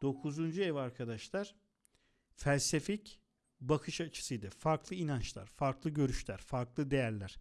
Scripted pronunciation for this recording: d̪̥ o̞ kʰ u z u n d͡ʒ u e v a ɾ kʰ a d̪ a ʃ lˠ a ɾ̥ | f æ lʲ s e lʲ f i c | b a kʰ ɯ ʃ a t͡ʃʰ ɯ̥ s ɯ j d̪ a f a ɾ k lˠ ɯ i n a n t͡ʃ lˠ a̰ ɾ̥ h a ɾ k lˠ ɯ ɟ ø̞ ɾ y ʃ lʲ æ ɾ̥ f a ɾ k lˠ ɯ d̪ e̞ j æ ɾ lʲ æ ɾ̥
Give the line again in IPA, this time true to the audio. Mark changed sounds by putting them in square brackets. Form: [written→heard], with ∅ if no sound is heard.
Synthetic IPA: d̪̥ o̞ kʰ u z u n d͡ʒ u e v a ɾ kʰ a d̪ a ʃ lˠ a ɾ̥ | f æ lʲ s e [lʲ→∅] f i c | b a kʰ ɯ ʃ a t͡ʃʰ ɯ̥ s ɯ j d̪ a f a ɾ k lˠ ɯ i n a n t͡ʃ lˠ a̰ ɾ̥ [h→f] a ɾ k lˠ ɯ ɟ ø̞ ɾ y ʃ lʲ æ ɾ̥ f a ɾ k lˠ ɯ d̪ e̞ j æ ɾ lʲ æ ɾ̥